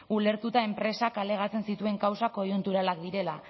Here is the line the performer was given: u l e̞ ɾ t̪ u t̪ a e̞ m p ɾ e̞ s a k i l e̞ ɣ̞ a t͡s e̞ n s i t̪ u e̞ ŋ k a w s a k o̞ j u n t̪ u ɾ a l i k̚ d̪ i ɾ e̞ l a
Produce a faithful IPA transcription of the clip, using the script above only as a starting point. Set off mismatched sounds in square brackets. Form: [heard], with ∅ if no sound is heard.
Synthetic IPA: u l e̞ ɾ t̪ u t̪ a e̞ m p ɾ e̞ s a k [a] l e̞ ɣ̞ a t͡s e̞ n s i t̪ u e̞ ŋ k a w s a k o̞ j u n t̪ u ɾ a l [a] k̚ d̪ i ɾ e̞ l a